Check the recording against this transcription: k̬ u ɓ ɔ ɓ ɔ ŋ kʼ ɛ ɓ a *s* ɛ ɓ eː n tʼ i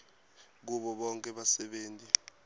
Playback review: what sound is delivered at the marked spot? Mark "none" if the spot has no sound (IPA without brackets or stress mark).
s